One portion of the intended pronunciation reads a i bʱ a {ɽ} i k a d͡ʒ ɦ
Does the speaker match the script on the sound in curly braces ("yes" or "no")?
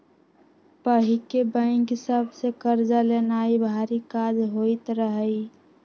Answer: no